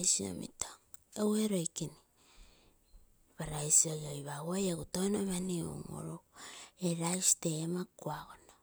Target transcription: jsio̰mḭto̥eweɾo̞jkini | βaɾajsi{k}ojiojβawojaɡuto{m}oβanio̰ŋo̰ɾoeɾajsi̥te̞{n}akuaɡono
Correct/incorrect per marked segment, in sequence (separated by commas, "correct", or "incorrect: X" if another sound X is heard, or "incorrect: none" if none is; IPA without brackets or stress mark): incorrect: none, incorrect: n, incorrect: m